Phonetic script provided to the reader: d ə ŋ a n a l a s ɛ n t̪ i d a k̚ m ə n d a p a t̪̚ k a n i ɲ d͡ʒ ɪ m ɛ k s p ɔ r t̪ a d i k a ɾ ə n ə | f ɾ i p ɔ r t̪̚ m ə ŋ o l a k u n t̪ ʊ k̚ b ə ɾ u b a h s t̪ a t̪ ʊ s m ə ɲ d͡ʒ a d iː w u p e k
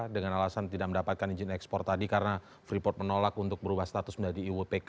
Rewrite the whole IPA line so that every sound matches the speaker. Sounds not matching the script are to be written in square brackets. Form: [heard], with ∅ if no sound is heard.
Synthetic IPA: d ə ŋ a n a l a s [a] n t̪ i d a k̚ m ə n d a p a t̪̚ k a n i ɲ d͡ʒ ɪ [n] ɛ k s p ɔ r t̪ a d i k a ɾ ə n [a] | f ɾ i p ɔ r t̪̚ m ə [n] o l a k u n t̪ ʊ k̚ b ə ɾ u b a h s t̪ a t̪ ʊ s m ə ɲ d͡ʒ a d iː w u p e k